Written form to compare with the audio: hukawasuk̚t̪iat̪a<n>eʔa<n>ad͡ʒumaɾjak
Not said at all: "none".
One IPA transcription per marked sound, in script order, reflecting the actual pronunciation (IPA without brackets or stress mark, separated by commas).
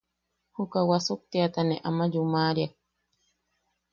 n, m